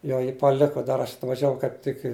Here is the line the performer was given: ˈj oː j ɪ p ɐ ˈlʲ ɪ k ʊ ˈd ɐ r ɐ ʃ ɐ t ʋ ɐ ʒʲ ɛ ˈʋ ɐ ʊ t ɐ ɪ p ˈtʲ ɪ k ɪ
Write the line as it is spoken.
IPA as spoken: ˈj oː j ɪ p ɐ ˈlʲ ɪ k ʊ ˈd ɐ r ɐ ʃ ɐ t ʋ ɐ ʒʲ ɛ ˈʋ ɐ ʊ k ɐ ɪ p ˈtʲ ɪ k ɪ